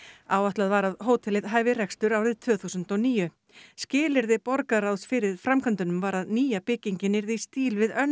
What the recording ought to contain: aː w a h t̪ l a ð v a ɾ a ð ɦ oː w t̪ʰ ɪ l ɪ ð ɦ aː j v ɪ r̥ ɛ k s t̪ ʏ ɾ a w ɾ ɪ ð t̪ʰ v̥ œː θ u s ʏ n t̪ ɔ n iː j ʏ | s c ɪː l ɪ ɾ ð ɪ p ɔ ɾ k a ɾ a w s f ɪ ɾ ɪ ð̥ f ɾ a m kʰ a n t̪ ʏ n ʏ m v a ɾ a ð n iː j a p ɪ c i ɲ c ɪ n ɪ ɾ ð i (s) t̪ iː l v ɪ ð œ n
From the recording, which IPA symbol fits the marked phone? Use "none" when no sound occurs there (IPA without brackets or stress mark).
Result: s